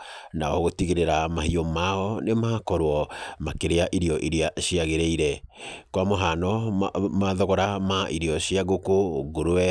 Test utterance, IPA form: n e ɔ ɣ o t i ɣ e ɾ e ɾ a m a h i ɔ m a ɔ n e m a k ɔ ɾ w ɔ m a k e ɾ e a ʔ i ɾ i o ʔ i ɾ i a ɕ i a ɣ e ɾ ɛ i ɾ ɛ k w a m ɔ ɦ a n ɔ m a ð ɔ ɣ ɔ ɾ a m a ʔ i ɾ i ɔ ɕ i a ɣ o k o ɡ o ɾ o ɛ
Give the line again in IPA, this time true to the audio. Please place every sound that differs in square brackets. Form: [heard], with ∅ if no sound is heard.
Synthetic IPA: n [a] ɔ ɣ o t i ɣ e ɾ e ɾ a m a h i ɔ m a ɔ n e m a k ɔ ɾ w ɔ m a k e ɾ e a ʔ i ɾ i [ɔ] ʔ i ɾ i a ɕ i a ɣ e ɾ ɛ i ɾ ɛ k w a m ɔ ɦ a n ɔ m a ð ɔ ɣ ɔ ɾ a m a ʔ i ɾ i ɔ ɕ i a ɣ o k o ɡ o ɾ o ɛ